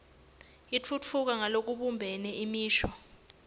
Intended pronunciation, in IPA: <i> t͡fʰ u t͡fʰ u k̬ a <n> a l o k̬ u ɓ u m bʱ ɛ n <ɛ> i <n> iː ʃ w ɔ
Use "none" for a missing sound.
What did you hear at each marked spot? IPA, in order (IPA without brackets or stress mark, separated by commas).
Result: i, ŋ, ɛ, m